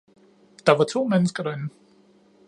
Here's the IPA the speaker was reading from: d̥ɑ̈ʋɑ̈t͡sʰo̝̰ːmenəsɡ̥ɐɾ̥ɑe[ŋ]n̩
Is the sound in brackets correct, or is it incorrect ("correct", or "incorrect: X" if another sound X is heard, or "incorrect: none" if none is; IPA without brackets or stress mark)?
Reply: incorrect: n